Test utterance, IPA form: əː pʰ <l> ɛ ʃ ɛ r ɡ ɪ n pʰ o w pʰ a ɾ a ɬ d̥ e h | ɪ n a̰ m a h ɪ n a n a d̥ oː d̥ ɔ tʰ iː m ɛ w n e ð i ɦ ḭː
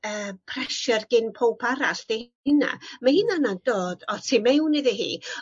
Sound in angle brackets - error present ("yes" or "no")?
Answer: yes